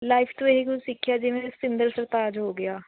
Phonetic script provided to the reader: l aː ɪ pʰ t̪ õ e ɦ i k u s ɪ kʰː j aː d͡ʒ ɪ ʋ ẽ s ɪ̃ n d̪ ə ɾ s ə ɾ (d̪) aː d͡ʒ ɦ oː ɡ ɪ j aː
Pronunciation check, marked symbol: incorrect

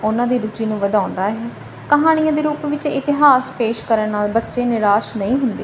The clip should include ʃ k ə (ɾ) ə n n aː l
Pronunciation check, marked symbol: correct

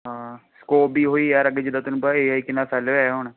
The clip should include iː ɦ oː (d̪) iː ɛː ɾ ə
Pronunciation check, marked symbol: incorrect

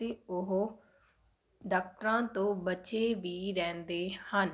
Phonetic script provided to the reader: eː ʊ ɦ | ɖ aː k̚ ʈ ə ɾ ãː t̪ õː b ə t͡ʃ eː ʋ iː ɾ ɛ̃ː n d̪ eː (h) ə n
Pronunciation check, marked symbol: correct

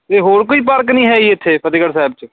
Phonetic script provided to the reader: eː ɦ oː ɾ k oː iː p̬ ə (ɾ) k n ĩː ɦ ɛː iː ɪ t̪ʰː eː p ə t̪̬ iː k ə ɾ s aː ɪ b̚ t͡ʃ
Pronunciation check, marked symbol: correct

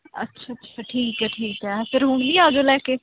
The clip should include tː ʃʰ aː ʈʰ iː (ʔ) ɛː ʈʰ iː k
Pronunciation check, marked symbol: incorrect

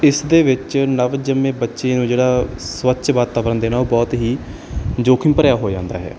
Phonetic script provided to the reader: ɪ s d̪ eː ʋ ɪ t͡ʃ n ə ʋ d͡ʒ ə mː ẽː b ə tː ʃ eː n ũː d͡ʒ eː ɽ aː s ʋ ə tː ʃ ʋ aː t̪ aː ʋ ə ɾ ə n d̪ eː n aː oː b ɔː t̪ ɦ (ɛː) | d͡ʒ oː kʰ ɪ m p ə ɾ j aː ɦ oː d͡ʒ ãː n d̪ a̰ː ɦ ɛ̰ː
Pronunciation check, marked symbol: incorrect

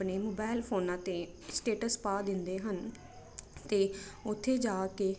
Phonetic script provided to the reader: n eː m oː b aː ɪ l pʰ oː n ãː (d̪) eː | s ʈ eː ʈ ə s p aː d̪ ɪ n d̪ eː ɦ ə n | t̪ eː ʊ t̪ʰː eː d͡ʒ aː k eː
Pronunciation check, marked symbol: incorrect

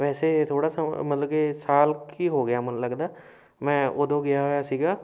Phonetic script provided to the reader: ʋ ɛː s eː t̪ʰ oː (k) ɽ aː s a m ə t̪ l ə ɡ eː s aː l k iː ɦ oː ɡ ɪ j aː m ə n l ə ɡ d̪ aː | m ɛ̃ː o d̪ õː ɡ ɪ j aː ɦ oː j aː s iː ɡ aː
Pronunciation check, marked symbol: incorrect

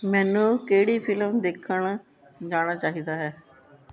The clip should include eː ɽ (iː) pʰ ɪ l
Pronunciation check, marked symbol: correct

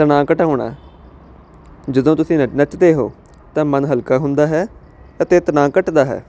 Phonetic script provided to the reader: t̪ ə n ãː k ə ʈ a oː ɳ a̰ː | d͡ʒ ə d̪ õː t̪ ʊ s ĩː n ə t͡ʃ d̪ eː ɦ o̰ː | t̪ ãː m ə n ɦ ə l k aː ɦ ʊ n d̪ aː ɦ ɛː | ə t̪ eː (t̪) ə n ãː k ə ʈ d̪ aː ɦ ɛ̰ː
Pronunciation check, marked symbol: correct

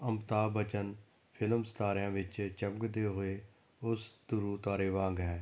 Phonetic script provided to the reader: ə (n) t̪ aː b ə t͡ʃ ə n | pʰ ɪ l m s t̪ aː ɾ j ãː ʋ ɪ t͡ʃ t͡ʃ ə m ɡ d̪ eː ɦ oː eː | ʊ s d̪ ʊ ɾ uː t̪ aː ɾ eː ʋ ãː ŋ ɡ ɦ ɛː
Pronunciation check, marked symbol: incorrect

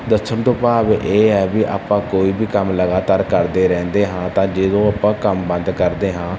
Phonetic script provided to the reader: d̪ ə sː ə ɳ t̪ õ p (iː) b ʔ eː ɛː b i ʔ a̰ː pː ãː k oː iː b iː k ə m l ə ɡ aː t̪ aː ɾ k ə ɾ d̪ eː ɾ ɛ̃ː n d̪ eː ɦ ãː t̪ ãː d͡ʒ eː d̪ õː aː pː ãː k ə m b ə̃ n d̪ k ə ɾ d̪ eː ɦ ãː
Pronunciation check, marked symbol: incorrect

